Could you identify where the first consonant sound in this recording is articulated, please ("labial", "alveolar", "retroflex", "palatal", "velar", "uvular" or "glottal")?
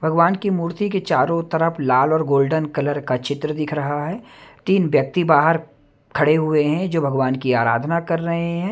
labial